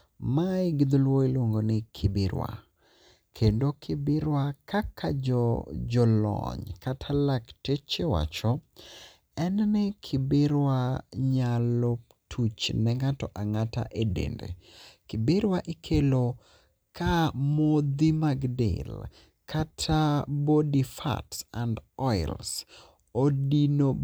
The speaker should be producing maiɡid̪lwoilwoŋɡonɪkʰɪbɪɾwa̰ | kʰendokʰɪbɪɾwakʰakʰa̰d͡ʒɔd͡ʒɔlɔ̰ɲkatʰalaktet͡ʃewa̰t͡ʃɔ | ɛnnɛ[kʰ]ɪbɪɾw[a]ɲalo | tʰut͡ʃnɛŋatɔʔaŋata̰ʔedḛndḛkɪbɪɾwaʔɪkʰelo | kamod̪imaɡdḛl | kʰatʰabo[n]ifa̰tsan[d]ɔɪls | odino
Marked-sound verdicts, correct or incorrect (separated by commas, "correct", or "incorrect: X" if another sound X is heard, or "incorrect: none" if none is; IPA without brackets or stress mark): correct, correct, incorrect: d, correct